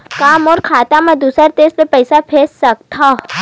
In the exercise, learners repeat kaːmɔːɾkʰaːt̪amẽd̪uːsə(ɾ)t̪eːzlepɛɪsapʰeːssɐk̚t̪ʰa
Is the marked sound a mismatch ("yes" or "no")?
no